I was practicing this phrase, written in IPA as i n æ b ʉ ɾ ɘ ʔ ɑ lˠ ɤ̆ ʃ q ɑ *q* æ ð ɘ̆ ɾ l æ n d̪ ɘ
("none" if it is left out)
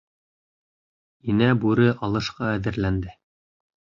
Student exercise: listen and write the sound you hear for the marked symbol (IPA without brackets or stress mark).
none